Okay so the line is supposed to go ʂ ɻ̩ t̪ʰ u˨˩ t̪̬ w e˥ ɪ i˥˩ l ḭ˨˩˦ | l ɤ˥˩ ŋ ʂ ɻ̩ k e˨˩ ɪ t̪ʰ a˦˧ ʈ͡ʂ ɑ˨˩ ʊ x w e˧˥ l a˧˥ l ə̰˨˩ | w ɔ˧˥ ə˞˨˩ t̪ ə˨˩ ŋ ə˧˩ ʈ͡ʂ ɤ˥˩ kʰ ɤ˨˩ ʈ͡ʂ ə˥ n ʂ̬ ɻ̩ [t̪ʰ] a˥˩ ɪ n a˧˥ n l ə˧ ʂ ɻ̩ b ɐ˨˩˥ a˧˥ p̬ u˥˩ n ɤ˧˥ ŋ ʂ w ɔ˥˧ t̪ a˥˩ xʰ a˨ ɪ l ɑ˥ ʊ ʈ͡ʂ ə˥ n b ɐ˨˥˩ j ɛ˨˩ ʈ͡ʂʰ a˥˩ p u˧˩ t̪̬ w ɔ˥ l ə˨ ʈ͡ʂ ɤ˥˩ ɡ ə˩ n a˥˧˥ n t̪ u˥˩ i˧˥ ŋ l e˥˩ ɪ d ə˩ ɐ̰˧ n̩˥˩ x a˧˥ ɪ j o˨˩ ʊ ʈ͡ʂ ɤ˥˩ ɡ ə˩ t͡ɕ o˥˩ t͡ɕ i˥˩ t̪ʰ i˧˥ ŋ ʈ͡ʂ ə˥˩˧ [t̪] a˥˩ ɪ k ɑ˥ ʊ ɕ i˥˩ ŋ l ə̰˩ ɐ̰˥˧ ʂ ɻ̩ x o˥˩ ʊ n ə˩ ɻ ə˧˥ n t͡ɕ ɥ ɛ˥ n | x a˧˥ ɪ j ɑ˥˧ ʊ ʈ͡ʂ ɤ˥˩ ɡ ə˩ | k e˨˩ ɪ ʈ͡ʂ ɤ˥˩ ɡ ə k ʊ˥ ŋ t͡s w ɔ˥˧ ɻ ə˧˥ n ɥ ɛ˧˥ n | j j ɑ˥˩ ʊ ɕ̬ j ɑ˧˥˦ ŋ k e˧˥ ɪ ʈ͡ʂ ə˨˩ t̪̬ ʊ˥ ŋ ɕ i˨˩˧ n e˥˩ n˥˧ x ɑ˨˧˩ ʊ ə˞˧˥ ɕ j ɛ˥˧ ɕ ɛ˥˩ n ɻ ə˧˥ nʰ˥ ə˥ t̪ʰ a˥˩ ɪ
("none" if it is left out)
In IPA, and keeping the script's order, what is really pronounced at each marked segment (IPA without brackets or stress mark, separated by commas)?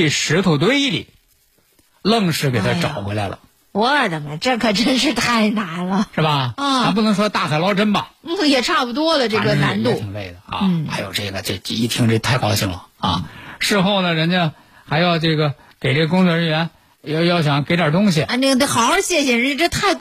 t̪ʰ, t̪ʰ